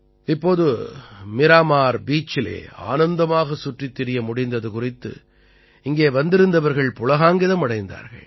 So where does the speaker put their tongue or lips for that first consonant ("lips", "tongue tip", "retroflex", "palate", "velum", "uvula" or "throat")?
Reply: lips